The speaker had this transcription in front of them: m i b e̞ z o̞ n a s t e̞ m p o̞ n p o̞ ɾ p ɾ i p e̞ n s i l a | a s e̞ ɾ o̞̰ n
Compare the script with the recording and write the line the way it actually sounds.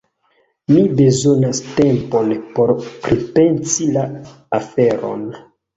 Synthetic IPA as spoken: m i b e̞ z o̞ n a s t e̞ m p o̞ n p o̞ ɾ p ɾ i p e̞ n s i l a | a f e̞ ɾ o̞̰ n